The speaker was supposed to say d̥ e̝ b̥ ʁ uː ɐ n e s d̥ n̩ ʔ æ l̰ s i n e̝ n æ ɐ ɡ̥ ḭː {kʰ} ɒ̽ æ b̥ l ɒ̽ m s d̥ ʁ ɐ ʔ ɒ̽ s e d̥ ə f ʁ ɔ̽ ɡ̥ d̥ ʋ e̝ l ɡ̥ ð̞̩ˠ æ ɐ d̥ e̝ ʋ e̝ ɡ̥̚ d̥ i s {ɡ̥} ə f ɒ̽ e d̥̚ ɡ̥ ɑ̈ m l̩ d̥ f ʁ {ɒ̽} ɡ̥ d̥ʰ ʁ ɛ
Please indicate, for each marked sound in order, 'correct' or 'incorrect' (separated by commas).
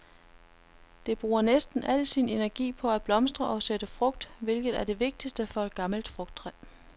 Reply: incorrect, incorrect, incorrect